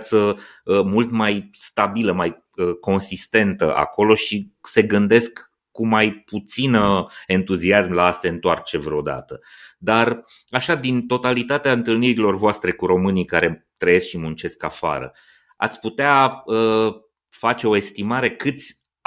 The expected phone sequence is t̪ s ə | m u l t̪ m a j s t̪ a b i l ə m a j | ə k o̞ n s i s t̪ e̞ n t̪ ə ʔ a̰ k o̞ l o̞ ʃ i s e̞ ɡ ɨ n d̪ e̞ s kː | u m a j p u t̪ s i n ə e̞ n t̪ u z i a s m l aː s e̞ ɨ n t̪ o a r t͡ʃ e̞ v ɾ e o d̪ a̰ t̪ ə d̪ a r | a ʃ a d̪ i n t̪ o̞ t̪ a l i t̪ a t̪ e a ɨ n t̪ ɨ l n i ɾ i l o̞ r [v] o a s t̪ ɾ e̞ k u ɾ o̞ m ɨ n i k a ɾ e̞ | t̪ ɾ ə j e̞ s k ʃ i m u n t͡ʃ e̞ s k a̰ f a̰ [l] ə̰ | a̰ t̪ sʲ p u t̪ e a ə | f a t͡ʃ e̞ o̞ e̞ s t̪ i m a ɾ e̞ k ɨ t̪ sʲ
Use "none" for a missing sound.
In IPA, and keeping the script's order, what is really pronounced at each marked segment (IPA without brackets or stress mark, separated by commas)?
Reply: v, ɾ